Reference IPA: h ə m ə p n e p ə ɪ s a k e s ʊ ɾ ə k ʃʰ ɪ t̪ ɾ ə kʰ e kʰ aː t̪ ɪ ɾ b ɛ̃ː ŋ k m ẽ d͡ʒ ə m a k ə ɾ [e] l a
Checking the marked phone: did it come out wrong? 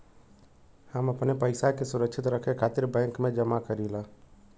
yes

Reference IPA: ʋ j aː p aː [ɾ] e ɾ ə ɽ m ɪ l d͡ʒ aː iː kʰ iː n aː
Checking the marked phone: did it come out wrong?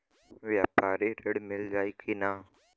no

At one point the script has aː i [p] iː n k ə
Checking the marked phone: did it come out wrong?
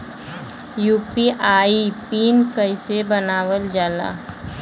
no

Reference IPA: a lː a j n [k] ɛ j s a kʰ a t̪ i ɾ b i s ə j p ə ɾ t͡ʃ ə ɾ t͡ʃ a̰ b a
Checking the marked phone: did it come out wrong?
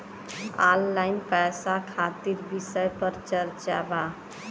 yes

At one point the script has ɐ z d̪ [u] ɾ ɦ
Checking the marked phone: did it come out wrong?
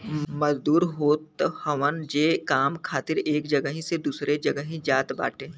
yes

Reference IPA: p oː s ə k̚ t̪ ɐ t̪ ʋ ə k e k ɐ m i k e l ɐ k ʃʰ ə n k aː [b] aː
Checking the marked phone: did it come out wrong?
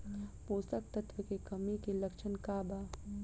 no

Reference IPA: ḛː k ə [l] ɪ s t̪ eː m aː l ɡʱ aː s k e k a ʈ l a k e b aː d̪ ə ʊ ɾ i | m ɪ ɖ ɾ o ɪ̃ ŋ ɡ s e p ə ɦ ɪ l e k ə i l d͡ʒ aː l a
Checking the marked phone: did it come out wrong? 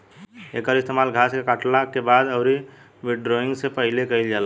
yes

